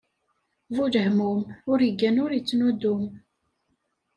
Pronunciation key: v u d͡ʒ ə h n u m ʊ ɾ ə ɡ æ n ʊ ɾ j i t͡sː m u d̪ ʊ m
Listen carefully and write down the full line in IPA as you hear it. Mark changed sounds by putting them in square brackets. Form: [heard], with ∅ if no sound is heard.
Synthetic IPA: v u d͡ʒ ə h [m] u m ʊ ɾ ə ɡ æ n ʊ ɾ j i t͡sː [n] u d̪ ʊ m